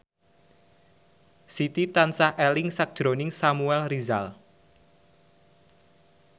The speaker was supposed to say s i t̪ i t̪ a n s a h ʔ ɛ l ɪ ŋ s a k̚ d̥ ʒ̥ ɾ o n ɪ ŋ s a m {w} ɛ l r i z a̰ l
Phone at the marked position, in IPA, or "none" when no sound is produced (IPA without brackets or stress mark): u